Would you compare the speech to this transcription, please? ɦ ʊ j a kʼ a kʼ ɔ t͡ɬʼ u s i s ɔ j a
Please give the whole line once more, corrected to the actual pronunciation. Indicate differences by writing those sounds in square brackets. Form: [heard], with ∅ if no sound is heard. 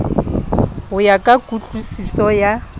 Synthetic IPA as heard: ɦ ʊ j a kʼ a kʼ [u] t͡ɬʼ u s i s ɔ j a